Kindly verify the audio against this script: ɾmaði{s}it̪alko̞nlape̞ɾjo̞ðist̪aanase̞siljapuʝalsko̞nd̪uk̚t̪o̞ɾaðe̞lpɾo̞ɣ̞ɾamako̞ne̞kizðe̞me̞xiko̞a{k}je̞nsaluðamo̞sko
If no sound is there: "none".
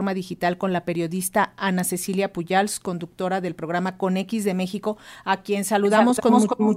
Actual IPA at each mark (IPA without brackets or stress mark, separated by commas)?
x, k